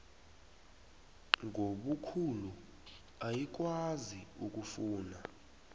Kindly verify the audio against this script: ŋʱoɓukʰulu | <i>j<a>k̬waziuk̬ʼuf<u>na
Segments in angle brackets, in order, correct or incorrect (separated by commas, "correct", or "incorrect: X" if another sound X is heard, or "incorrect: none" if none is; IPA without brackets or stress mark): incorrect: a, incorrect: i, incorrect: uː